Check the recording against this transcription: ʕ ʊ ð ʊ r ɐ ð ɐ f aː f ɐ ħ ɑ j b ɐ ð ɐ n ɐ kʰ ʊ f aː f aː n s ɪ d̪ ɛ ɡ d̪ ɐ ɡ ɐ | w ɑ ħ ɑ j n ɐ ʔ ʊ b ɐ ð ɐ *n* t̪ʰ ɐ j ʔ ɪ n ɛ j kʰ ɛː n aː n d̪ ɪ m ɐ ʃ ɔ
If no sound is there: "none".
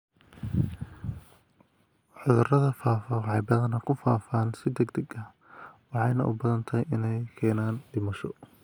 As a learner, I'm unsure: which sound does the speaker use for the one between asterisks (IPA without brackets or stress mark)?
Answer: n